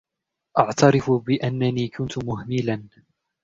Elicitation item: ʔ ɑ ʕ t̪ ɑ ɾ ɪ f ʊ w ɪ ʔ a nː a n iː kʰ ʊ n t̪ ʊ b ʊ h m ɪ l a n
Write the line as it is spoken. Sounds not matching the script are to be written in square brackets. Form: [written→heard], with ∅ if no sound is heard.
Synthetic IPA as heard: ʔ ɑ ʕ t̪ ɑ ɾ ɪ f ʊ [w→b] ɪ ʔ a nː a n iː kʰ ʊ n t̪ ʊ [b→m] ʊ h m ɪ l a n